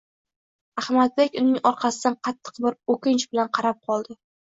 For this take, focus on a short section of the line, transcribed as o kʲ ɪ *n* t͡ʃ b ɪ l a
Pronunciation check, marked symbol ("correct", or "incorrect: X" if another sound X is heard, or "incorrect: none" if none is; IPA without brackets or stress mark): correct